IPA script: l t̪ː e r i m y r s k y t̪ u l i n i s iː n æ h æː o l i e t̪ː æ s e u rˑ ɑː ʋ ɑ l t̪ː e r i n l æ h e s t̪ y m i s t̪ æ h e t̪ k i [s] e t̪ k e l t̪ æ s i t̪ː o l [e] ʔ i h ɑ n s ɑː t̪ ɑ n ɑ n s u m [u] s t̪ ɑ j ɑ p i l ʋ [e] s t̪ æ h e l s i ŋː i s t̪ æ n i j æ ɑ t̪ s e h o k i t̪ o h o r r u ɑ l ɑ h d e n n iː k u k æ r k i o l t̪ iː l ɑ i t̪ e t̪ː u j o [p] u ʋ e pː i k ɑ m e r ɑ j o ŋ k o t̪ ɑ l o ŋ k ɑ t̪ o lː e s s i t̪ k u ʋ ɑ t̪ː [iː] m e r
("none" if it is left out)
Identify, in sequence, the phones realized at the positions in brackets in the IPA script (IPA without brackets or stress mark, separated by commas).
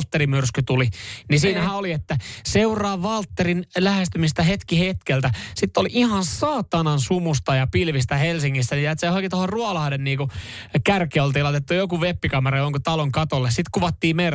h, i, u, i, k, iː